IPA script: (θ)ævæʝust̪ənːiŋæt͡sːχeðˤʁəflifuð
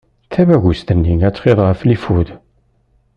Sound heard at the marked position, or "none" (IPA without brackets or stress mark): θ